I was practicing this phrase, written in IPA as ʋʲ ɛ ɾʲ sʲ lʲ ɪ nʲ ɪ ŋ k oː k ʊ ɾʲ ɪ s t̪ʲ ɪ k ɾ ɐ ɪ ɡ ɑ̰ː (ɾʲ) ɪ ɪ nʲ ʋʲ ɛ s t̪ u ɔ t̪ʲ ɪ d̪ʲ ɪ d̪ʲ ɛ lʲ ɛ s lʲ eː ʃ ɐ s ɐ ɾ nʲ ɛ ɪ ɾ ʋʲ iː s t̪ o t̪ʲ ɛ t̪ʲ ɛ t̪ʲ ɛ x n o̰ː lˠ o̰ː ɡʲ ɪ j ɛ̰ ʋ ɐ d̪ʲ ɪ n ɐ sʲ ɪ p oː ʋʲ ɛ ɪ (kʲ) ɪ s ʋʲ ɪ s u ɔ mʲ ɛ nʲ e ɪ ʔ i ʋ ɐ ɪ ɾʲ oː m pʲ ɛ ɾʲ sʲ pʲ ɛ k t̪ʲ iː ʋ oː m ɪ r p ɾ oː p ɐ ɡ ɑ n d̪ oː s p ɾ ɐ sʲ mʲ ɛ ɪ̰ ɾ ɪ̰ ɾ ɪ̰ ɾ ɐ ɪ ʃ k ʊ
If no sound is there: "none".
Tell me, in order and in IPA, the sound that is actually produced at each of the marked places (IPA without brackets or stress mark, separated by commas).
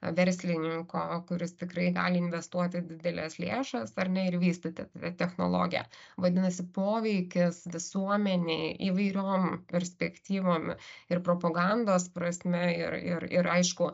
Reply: lʲ, kʲ